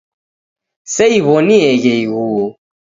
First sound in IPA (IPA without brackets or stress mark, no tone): s